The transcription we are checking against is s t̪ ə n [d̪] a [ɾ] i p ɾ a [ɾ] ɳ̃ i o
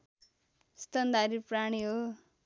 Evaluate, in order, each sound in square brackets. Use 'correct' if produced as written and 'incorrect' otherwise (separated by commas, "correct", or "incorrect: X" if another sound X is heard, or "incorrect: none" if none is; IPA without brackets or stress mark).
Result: correct, correct, incorrect: none